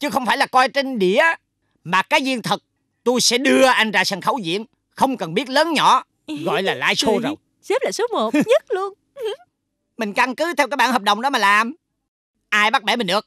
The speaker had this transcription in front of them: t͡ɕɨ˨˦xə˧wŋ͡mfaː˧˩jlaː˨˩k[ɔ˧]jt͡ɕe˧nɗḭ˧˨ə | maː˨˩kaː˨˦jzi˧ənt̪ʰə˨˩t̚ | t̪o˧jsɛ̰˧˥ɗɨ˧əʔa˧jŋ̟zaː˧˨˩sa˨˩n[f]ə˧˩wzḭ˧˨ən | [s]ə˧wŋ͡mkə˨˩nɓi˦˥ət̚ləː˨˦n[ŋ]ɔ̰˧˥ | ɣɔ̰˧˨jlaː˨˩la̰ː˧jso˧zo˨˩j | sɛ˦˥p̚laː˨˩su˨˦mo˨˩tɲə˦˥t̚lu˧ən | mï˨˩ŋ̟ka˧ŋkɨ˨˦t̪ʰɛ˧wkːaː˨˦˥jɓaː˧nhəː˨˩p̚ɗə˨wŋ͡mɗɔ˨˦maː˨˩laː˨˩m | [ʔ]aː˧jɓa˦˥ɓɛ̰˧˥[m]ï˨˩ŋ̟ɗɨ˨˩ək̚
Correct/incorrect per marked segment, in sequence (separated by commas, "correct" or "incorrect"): correct, incorrect, incorrect, incorrect, correct, correct